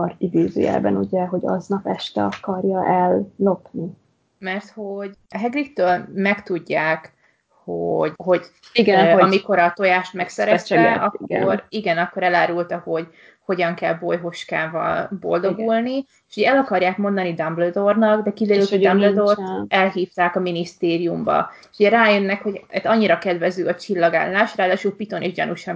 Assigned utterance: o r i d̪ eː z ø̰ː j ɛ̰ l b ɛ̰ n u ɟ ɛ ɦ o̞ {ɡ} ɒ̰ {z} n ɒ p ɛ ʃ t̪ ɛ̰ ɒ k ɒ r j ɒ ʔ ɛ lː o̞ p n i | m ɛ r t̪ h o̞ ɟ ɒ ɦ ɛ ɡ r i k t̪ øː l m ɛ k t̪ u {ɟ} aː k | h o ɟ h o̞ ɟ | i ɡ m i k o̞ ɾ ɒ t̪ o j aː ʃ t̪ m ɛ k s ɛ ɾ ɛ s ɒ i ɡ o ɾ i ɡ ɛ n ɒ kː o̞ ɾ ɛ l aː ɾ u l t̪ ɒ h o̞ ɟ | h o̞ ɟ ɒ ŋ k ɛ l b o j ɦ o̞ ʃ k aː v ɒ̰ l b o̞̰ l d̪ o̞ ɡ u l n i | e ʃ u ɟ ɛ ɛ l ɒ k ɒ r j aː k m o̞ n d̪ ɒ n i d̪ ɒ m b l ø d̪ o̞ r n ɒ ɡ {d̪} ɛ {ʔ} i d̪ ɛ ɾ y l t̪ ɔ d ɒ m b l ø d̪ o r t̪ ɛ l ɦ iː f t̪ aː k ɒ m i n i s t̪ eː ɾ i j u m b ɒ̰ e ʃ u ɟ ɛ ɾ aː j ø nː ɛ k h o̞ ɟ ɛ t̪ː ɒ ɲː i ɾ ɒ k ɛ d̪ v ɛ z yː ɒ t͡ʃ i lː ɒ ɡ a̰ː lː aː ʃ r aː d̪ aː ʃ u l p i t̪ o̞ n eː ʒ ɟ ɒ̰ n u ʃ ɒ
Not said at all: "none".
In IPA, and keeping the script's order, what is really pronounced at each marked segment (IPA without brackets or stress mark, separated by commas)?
ɟ, z, ɟː, d̪, k